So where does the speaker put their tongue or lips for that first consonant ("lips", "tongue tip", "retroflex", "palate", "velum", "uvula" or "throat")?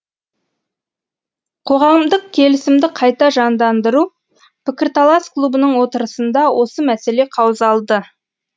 uvula